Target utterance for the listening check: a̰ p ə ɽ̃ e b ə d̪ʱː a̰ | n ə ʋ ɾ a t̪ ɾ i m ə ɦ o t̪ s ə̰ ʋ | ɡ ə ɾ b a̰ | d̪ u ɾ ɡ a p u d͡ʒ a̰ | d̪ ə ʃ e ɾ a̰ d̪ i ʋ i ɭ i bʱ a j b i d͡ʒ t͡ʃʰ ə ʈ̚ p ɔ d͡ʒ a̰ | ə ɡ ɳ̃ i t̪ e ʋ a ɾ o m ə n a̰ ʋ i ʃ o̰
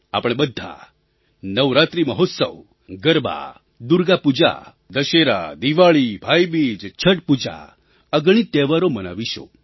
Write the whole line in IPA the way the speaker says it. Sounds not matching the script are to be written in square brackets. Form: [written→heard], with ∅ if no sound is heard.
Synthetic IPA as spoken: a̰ p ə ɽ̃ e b ə d̪ʱː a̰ | n ə ʋ ɾ a t̪ ɾ i m ə ɦ o t̪ s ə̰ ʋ | ɡ ə ɾ b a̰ | d̪ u ɾ ɡ a p u d͡ʒ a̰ | d̪ ə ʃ e ɾ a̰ d̪ i ʋ [i→a] ɭ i bʱ a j b i d͡ʒ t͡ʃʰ ə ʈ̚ p [ɔ→u] d͡ʒ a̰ | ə ɡ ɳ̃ i t̪ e ʋ a ɾ o m ə n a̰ ʋ i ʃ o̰